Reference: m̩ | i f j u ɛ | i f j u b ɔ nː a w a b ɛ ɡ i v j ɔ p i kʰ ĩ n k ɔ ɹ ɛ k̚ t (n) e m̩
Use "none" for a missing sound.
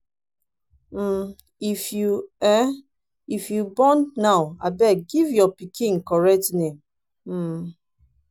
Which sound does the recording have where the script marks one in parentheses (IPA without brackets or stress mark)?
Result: n